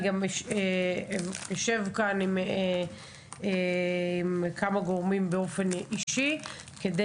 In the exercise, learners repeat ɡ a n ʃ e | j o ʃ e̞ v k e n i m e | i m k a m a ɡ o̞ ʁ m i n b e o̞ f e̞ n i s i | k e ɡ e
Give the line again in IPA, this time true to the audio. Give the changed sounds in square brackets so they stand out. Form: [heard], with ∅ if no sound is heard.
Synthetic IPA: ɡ a [m] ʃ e | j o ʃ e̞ v k [a] n i m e | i m k a m a ɡ o̞ ʁ m i [m] b e o̞ f e̞ n i [ʃ] i | k e [d] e